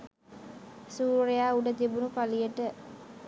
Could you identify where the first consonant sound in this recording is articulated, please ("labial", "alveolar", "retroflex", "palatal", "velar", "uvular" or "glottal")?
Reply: alveolar